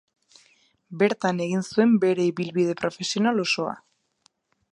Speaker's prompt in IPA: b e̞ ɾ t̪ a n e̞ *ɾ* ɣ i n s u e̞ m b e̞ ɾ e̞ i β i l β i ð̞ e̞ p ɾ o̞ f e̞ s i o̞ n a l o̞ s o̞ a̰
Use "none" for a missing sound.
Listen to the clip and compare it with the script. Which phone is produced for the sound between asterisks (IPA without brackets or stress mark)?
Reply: none